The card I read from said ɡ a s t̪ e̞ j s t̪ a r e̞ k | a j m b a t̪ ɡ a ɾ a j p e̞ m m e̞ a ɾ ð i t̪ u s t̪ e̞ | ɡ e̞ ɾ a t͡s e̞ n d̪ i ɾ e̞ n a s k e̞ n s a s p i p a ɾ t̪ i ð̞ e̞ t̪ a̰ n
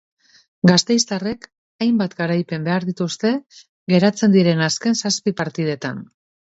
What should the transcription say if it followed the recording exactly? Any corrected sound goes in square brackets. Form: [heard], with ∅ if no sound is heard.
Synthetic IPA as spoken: ɡ a s t̪ e̞ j s t̪ a r e̞ k | a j m b a t̪ ɡ a ɾ a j p e̞ m [b] e̞ a ɾ ð i t̪ u s t̪ e̞ | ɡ e̞ ɾ a t͡s e̞ n d̪ i ɾ e̞ n a s k e̞ n s a s p i p a ɾ t̪ i ð̞ e̞ t̪ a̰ n